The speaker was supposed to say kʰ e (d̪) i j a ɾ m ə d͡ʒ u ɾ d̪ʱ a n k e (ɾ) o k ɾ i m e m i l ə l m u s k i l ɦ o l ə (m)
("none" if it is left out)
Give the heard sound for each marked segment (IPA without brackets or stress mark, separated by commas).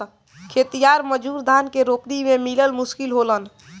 t̪, ɾ, n